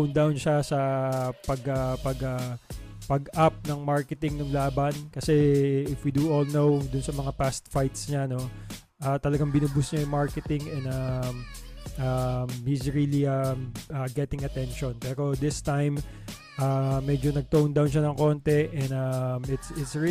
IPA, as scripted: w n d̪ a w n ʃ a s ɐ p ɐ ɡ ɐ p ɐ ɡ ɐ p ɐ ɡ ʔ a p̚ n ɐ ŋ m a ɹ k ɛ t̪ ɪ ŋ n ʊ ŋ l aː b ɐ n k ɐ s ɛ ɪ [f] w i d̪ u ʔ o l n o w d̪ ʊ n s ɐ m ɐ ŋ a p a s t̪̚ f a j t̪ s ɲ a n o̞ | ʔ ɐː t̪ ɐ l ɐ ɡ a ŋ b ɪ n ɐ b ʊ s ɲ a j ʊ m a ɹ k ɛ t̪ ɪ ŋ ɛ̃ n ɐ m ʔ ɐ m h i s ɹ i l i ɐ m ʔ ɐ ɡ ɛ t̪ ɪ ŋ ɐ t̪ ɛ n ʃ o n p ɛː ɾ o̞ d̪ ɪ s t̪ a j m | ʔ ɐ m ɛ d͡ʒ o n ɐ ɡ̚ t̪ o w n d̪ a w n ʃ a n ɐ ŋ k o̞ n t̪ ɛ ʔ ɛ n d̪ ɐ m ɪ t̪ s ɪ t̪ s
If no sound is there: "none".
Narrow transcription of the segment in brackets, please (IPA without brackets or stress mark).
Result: f